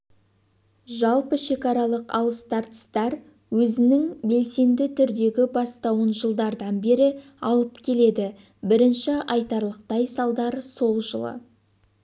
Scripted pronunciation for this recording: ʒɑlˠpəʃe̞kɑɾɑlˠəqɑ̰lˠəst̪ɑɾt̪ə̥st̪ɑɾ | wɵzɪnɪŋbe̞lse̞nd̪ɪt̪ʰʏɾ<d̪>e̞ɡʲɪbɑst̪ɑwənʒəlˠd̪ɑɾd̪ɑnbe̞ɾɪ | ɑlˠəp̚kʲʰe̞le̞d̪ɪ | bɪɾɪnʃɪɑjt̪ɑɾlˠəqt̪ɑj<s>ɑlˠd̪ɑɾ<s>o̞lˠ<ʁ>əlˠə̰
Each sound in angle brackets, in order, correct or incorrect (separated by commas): correct, correct, correct, incorrect